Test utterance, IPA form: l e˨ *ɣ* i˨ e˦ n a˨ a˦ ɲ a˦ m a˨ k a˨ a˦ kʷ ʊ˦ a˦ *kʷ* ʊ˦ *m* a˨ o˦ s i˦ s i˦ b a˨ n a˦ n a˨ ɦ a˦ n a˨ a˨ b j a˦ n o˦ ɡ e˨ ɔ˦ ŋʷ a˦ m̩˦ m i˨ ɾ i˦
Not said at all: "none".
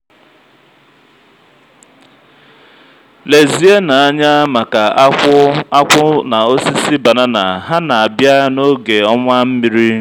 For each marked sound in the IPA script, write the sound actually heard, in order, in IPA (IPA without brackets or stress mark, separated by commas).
z, kʷ, n